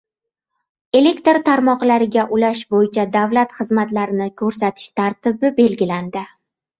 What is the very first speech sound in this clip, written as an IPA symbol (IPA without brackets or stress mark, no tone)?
e̞